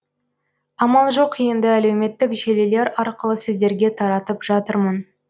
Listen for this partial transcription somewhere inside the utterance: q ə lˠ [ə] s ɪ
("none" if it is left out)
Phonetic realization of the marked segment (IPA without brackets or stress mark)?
ə